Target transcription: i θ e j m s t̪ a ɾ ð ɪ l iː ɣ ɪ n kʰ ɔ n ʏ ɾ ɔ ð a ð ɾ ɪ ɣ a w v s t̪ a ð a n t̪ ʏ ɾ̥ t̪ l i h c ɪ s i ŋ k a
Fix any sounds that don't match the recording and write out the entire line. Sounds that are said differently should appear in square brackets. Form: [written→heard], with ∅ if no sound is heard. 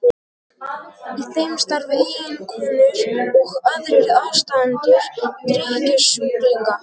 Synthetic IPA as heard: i θ e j m s t̪ a ɾ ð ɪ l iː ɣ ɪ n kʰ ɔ n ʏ ɾ ɔ [ð→ɣ] a ð ɾ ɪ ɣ a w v s t̪ a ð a n t̪ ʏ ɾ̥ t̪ [l→ɾ] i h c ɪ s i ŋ k a